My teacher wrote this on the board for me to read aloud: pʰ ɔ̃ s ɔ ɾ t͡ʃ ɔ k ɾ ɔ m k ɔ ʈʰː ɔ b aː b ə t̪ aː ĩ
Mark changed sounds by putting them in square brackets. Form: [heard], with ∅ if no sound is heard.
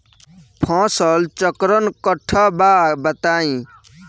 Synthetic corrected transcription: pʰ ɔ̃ s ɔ [l] t͡ʃ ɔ k ɾ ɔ [n] k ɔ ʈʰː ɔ b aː b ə t̪ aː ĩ